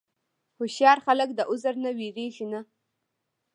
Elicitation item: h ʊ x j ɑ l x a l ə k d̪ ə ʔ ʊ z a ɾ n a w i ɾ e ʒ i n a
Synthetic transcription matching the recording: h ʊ ʃ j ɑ ɾ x a l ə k d̪ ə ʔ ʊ z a ɾ n a w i ɾ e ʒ i n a